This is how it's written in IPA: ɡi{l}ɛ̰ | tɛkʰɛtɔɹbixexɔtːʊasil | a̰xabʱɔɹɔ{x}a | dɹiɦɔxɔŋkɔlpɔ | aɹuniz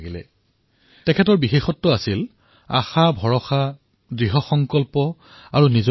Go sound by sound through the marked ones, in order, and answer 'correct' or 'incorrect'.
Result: correct, correct

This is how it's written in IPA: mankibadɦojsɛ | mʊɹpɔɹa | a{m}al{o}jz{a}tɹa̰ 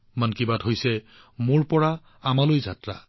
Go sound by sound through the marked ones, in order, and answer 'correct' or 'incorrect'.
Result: correct, correct, correct

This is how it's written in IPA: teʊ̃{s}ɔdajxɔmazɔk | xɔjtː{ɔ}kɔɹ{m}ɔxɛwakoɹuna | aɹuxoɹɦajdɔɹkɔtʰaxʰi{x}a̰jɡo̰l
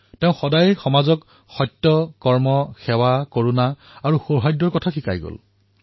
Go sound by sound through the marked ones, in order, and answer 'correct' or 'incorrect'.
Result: incorrect, correct, correct, incorrect

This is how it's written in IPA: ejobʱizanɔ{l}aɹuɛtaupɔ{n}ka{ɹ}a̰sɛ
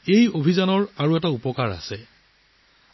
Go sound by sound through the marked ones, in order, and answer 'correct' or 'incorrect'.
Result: incorrect, incorrect, correct

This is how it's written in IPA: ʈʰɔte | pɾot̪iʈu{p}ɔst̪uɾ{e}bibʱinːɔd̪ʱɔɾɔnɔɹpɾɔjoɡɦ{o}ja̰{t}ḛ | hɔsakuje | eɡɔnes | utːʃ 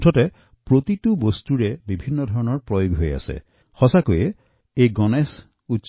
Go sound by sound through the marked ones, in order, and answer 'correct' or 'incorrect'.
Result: incorrect, correct, correct, incorrect

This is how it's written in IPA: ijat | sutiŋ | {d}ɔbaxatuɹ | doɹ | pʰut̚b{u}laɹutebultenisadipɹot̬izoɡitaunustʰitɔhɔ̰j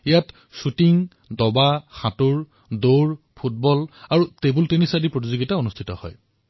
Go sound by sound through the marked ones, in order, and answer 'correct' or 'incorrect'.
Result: correct, incorrect

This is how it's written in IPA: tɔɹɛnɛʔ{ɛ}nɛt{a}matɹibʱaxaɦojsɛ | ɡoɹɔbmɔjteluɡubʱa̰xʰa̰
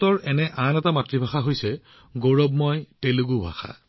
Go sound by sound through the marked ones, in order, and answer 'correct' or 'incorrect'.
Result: incorrect, correct

